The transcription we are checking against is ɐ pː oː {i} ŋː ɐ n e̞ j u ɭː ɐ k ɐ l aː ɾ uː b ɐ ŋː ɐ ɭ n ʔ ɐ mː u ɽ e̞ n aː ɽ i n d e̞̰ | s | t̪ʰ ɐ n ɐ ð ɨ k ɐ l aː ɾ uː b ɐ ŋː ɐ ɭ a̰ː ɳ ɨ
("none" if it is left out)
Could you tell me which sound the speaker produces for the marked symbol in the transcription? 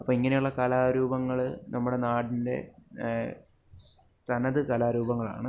i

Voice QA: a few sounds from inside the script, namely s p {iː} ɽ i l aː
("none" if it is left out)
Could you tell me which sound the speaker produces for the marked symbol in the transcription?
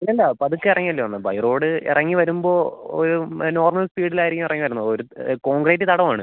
iː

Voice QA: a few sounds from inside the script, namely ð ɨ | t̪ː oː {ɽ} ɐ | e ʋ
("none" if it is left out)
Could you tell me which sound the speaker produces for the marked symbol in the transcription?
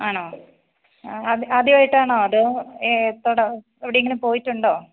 ɽ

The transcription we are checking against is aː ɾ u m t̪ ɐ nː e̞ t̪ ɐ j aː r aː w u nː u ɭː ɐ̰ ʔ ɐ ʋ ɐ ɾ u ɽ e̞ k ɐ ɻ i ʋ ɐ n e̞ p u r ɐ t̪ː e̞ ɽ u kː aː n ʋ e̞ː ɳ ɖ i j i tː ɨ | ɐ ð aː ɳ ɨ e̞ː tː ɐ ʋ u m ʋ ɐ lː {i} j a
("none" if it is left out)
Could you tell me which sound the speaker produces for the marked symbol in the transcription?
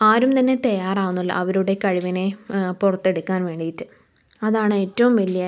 i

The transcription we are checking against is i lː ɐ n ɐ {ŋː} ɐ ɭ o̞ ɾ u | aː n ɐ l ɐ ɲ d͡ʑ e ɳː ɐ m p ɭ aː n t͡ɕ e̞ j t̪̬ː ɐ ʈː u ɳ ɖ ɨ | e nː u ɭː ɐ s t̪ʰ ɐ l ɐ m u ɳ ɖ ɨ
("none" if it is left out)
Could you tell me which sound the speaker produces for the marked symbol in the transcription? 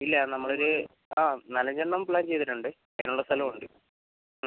mː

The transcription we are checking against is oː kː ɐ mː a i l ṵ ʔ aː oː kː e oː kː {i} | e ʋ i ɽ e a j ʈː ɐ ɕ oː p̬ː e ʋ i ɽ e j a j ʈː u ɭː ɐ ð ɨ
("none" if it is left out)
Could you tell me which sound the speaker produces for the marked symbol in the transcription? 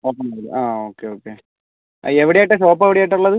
e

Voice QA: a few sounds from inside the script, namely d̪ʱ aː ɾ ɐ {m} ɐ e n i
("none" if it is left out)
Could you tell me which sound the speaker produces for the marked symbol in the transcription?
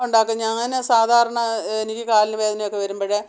ɳ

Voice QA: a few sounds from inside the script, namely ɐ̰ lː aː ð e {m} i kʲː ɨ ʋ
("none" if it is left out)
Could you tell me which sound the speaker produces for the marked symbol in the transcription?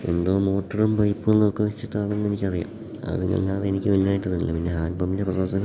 n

